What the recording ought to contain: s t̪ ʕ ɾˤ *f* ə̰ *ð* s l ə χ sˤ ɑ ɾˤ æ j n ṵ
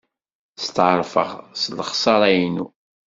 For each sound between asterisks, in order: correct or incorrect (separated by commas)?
correct, incorrect